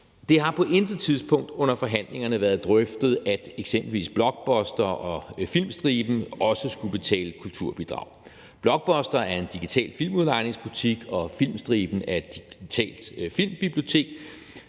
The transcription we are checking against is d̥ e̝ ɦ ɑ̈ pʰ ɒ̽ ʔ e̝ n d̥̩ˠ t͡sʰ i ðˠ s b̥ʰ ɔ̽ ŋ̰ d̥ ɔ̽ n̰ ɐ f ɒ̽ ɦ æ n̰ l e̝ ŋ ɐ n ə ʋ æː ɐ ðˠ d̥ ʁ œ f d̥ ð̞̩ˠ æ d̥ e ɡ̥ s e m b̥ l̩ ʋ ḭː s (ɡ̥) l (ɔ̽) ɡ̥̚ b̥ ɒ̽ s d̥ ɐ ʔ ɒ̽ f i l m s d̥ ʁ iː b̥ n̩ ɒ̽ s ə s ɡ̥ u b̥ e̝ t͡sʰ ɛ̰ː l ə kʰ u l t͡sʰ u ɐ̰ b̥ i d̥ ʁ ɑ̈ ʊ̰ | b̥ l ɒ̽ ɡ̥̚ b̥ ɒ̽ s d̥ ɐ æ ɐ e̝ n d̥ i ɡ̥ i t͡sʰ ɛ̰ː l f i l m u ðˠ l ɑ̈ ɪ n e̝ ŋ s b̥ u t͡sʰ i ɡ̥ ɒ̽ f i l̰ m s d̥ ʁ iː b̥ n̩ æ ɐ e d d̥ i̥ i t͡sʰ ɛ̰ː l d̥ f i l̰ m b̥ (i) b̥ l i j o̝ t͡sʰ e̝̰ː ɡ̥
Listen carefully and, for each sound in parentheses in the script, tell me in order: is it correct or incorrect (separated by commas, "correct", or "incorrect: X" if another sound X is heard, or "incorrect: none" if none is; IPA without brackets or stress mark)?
incorrect: b̥, incorrect: ɒ̽, correct